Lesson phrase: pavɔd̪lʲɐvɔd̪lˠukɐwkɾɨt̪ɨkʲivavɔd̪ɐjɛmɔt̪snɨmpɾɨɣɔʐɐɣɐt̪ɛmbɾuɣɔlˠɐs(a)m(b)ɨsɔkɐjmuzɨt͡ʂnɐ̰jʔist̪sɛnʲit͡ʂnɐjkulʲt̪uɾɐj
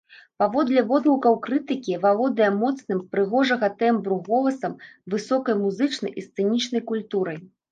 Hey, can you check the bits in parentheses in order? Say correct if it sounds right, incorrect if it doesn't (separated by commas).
incorrect, incorrect